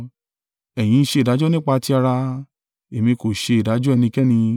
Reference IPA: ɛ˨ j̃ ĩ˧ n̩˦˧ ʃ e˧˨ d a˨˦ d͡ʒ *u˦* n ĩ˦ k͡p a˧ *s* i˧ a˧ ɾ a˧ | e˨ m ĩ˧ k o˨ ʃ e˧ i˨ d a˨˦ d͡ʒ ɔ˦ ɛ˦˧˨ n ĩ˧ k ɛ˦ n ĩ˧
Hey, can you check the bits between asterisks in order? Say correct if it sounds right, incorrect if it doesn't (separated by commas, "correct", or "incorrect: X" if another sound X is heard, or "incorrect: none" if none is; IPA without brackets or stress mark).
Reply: incorrect: ɔ˦, incorrect: t